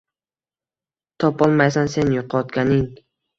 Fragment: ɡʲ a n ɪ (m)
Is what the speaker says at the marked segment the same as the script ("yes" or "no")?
no